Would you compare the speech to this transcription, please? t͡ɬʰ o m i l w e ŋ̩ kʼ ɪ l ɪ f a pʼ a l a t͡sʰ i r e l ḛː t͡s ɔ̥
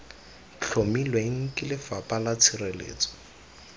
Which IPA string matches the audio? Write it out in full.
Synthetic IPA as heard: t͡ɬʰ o m i l w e ŋ̩ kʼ ɪ l ɪ f a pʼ a l a t͡sʰ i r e l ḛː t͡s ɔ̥